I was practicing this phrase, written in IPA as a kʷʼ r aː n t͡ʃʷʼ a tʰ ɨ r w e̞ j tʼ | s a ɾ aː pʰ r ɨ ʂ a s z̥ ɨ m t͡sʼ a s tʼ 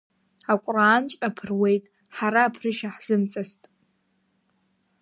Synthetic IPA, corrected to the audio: a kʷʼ r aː n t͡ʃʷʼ a pʰ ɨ r w e̞ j tʼ | ħ a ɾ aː pʰ r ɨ ʃ a ħ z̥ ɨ m t͡sʼ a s tʼ